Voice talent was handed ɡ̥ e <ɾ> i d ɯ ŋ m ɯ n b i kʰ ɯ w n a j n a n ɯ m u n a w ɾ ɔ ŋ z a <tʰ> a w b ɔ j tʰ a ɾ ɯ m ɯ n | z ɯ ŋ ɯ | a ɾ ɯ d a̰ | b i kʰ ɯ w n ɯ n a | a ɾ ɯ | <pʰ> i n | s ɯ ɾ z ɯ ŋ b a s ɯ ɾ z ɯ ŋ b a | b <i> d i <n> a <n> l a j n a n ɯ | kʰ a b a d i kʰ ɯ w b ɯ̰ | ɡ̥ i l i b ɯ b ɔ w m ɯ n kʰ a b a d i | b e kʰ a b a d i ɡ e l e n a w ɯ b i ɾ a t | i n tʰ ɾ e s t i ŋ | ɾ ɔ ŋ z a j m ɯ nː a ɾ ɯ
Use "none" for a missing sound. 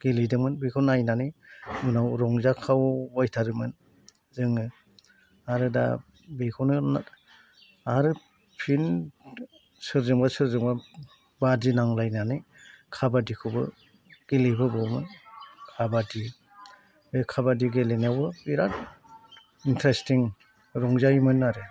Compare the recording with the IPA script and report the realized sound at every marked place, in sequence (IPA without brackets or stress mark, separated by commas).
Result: l, kʰ, pʰ, a, n, ŋ